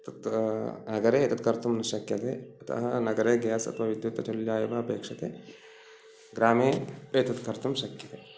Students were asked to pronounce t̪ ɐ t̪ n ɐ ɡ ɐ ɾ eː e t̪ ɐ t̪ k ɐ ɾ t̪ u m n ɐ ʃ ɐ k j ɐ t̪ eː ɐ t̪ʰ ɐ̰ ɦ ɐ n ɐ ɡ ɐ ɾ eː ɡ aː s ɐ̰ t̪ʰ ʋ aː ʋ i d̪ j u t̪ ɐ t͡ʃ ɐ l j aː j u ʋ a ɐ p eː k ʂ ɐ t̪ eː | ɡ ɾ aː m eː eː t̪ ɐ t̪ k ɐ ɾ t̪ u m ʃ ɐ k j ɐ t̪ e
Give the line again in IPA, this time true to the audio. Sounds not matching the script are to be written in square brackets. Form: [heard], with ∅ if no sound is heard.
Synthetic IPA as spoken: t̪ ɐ t̪ n ɐ ɡ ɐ ɾ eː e t̪ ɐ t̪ k ɐ ɾ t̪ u m n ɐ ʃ ɐ k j ɐ t̪ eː ɐ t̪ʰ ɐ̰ ɦ ɐ n ɐ ɡ ɐ ɾ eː ɡ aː s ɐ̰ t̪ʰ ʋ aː ʋ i d̪ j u t̪ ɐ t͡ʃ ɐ l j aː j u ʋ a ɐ p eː k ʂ ɐ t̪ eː | ɡ ɾ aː m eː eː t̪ ɐ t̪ k ɐ ɾ t̪ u m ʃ ɐ k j ɐ t̪ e